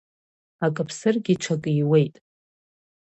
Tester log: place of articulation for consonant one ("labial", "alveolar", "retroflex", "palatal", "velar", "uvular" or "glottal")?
velar